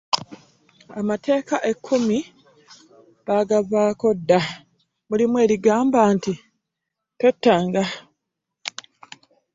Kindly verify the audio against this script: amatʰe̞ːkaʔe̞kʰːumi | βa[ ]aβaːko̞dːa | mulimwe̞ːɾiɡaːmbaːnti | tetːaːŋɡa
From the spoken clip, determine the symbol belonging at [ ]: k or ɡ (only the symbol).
ɡ